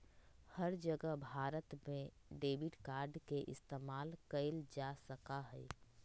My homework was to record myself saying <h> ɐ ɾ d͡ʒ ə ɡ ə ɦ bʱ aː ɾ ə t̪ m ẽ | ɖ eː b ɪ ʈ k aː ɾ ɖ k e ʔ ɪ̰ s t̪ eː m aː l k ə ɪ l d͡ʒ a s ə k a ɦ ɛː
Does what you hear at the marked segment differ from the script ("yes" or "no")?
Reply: no